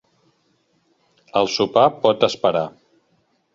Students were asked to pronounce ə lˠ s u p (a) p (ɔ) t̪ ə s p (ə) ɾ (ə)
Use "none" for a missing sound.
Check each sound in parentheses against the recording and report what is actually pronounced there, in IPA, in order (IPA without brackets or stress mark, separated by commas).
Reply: a, ɔ, ə, a